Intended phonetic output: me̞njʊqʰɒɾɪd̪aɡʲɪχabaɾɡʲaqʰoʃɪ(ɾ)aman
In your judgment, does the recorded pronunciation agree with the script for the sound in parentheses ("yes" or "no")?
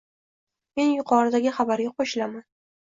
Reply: no